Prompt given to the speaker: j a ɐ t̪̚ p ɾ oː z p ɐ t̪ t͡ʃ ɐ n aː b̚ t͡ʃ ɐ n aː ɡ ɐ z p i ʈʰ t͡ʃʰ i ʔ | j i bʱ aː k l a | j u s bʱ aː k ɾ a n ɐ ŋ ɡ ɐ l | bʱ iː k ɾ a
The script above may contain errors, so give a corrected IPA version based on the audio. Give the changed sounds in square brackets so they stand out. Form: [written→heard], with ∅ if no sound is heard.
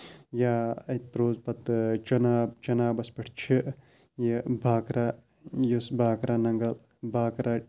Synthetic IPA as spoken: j a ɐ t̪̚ p ɾ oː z p ɐ t̪ t͡ʃ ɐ n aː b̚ t͡ʃ ɐ n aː [ɡ→b] ɐ [z→s] p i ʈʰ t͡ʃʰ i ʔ | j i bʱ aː k [l→ɾ] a | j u s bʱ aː k ɾ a n ɐ ŋ ɡ ɐ l | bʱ [iː→aː] k ɾ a